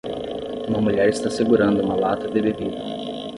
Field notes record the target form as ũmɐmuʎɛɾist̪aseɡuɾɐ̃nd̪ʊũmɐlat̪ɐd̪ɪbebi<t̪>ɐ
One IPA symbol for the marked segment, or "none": d̪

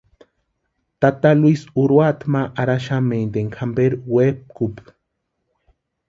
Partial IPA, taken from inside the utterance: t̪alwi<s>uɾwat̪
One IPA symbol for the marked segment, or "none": s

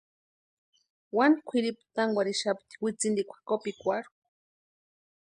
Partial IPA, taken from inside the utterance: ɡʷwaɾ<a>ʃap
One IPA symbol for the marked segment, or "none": i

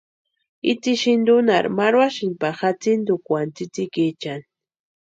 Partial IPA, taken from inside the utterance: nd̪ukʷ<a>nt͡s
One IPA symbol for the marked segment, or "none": a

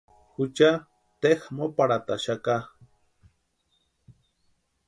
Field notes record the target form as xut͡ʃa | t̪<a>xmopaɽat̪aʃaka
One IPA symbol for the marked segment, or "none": e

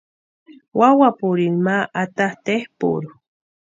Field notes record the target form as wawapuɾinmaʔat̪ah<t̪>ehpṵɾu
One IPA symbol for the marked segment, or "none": t̪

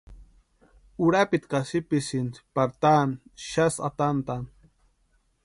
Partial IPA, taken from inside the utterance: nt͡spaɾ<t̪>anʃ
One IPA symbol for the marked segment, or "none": t̪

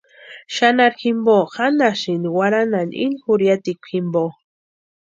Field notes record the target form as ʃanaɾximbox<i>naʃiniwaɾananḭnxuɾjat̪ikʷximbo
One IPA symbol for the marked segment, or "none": a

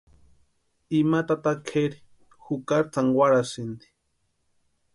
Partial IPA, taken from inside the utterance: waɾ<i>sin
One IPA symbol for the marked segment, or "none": a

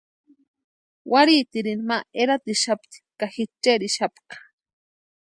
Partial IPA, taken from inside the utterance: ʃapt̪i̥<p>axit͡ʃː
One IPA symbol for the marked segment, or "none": k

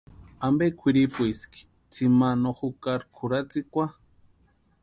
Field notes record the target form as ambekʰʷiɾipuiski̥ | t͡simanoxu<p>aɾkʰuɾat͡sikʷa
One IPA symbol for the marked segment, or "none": k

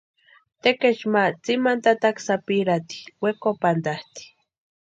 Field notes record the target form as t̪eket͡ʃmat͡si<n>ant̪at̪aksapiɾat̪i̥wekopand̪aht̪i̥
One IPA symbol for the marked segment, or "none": m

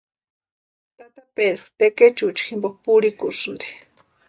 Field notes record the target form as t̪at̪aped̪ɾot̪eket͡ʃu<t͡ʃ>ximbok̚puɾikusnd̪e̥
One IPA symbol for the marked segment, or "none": t͡ʃ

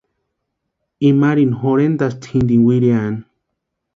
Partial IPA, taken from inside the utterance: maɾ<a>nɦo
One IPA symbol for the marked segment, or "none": i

